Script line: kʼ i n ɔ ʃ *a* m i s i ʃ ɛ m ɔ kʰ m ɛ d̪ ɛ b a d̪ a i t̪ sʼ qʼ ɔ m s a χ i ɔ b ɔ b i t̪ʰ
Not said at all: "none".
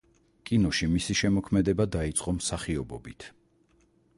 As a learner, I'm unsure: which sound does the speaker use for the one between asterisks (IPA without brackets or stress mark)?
i